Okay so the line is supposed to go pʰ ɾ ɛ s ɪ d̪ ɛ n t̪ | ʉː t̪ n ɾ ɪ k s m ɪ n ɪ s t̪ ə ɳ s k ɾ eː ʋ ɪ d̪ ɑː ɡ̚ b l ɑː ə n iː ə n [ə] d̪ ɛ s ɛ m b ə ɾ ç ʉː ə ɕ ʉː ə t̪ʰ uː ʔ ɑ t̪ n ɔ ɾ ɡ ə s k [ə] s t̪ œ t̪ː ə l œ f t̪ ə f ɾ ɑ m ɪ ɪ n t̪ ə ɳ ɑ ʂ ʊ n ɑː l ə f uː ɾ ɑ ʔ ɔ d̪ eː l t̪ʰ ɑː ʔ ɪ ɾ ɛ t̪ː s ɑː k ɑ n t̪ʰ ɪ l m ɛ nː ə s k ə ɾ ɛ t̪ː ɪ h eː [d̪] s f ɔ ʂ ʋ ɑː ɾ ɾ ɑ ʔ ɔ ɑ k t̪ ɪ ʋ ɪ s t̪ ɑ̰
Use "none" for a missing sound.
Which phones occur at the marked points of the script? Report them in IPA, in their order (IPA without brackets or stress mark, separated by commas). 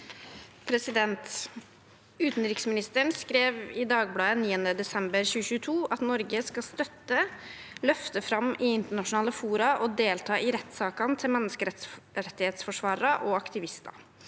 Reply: ə, ɑ, t̪